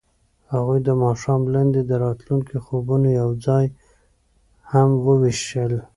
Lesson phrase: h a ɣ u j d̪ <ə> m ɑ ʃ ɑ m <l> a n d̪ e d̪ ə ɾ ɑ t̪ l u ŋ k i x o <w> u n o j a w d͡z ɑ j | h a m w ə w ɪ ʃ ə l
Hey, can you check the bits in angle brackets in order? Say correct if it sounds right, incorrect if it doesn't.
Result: correct, correct, incorrect: b

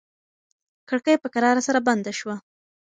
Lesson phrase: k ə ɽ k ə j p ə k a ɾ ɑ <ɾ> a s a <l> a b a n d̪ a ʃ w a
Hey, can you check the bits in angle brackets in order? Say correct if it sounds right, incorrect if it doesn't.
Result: correct, incorrect: ɾ

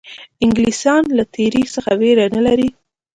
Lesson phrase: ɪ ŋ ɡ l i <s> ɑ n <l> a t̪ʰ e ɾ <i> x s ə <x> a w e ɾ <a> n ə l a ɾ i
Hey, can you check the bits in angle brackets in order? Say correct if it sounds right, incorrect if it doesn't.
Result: correct, correct, correct, correct, correct

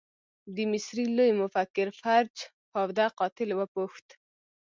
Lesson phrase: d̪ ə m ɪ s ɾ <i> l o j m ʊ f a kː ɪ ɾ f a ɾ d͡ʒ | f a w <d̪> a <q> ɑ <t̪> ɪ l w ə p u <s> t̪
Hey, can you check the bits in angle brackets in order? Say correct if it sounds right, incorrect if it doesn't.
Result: correct, correct, correct, correct, incorrect: x

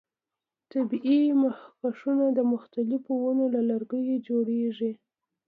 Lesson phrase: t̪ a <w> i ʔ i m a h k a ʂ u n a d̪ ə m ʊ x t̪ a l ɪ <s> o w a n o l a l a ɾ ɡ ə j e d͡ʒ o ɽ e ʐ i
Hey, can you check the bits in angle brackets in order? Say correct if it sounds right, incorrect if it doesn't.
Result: incorrect: b, incorrect: f

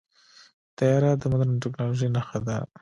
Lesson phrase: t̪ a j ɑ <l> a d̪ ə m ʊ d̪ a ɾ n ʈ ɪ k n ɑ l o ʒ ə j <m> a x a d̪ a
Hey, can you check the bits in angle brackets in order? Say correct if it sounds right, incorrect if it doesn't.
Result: incorrect: ɾ, incorrect: n

